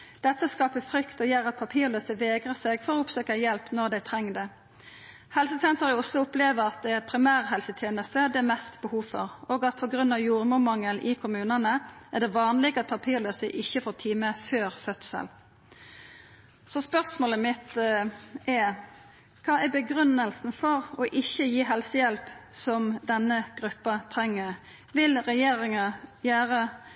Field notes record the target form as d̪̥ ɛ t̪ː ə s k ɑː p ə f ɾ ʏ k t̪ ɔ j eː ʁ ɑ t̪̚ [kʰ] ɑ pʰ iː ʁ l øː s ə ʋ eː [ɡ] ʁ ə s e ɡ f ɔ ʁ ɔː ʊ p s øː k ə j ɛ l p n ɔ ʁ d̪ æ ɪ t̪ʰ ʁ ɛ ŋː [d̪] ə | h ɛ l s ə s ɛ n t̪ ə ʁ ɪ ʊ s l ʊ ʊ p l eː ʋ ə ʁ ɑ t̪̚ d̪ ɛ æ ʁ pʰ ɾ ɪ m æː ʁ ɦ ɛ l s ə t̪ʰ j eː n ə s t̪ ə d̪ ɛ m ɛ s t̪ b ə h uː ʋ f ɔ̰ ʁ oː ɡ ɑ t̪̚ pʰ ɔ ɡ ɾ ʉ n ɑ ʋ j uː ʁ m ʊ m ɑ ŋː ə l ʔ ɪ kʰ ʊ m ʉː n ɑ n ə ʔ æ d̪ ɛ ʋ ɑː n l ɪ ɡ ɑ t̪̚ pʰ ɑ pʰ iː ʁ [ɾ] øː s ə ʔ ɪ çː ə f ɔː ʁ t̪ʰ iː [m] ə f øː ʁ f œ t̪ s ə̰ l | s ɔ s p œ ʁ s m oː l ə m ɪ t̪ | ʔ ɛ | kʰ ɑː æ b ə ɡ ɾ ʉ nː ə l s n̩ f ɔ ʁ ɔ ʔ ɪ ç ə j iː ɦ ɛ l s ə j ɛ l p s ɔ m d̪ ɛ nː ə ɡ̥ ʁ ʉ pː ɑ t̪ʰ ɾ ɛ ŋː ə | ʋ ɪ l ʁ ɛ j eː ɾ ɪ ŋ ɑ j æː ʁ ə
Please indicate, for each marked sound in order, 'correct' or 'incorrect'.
incorrect: pʰ, correct, correct, incorrect: l, correct

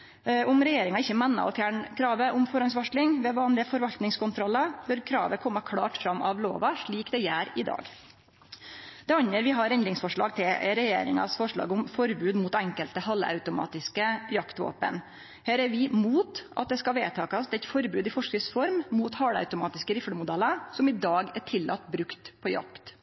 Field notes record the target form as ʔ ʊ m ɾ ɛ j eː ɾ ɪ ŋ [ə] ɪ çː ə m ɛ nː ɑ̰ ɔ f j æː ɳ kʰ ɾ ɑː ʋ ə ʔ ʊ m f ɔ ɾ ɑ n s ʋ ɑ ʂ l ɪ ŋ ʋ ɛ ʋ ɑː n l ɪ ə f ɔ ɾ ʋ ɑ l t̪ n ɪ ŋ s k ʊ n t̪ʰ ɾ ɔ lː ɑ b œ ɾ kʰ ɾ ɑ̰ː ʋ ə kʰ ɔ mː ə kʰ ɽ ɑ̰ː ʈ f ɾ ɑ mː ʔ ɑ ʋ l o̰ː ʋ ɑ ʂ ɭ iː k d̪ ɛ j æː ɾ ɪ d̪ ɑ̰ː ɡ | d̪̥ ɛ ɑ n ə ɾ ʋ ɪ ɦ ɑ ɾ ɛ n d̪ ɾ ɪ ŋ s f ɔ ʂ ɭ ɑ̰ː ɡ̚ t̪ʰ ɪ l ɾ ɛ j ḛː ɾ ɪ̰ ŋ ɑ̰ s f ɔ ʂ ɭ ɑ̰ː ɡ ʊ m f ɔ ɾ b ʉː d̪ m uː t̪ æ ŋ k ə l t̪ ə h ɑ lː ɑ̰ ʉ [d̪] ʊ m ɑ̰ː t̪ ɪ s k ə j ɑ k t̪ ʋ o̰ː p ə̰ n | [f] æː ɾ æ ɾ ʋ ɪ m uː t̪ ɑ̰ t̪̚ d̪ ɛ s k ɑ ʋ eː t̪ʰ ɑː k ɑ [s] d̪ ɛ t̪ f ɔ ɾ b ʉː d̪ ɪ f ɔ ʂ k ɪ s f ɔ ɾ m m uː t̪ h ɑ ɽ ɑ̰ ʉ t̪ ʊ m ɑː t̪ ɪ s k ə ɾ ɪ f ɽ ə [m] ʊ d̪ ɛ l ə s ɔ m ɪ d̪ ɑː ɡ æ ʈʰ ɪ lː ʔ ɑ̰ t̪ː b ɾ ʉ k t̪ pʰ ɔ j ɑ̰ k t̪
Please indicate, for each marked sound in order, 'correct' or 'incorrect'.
incorrect: ɑ, incorrect: t̪, incorrect: h, correct, correct

